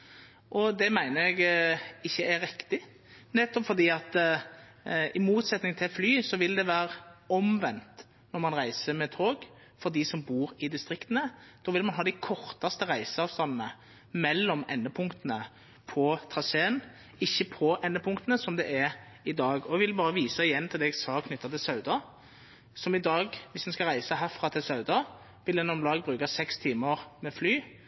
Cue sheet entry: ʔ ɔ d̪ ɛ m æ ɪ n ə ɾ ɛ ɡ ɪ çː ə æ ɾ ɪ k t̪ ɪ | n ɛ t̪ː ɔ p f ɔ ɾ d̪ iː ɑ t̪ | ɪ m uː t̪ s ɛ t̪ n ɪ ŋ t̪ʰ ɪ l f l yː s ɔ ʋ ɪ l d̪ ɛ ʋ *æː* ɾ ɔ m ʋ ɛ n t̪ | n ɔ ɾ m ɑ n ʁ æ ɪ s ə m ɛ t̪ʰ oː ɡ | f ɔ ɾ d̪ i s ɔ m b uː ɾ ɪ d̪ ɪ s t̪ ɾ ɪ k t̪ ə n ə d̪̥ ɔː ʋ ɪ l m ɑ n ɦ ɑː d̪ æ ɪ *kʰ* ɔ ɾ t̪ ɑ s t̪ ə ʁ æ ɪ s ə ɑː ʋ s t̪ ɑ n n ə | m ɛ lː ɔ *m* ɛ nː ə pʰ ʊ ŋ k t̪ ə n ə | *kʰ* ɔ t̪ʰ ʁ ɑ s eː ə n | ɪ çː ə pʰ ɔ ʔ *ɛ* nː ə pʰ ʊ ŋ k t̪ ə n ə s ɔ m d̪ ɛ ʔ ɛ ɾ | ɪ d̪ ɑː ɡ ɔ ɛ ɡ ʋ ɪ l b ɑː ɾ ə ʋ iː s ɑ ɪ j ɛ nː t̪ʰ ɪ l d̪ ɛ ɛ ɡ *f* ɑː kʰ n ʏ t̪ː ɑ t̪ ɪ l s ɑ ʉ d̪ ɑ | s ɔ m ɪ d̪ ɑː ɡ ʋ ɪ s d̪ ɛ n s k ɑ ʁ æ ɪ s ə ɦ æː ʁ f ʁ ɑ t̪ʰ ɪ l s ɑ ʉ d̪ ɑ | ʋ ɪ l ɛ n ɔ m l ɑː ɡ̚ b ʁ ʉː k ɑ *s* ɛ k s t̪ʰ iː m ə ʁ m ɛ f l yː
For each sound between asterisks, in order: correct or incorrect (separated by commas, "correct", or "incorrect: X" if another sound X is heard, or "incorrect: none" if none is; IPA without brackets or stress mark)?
correct, correct, correct, incorrect: pʰ, correct, incorrect: s, correct